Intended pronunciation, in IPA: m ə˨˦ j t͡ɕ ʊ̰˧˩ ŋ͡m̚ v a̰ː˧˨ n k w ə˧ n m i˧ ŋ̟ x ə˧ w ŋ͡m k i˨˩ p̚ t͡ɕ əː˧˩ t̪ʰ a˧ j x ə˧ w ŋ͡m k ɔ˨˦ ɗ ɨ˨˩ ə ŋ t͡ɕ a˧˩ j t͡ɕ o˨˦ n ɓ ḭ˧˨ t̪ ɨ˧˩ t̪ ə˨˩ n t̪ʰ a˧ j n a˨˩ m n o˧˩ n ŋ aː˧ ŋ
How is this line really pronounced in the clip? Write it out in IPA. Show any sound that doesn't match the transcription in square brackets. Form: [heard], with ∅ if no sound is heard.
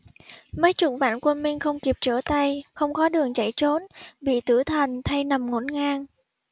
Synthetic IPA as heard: m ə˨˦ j t͡ɕ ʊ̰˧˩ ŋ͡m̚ v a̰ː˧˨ n k w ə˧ n m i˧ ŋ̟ x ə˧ w ŋ͡m k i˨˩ p̚ t͡ɕ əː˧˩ [t̪] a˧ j x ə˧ w ŋ͡m k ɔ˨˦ ɗ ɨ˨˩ ə ŋ t͡ɕ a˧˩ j t͡ɕ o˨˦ n ɓ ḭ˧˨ t̪ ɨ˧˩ [t̪ʰ] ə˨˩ n t̪ʰ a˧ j n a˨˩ m [ŋ] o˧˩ n ŋ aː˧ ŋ